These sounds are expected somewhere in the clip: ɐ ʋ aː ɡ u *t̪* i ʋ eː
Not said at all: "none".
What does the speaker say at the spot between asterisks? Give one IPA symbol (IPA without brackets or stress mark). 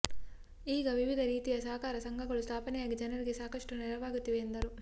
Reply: t̪